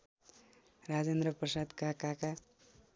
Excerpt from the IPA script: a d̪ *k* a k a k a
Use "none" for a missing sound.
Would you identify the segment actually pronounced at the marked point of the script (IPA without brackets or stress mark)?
k